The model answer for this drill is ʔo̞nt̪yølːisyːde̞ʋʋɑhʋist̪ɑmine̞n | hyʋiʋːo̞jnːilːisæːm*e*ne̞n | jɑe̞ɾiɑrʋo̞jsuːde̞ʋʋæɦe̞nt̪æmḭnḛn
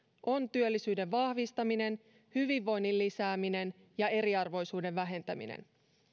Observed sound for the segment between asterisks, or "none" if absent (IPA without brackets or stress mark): i